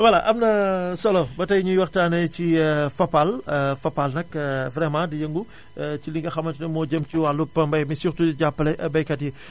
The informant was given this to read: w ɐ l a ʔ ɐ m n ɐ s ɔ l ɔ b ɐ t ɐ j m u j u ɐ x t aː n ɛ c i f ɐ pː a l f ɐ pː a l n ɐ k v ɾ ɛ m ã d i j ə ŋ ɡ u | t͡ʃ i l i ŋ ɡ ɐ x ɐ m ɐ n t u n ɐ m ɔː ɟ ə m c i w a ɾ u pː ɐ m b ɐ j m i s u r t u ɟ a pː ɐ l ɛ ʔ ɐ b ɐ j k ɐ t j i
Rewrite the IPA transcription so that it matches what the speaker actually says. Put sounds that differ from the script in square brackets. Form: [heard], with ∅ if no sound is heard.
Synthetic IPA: w ɐ l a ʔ ɐ m n ɐ s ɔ l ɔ b ɐ t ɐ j [ɲ] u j [w] ɐ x t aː n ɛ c i f ɐ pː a l f ɐ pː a l n ɐ k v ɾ ɛ m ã d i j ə ŋ ɡ u | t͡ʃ i l i ŋ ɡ ɐ x ɐ m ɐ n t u n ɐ m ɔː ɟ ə m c i w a [l] u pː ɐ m b ɐ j m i s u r t u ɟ a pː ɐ l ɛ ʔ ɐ b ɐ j k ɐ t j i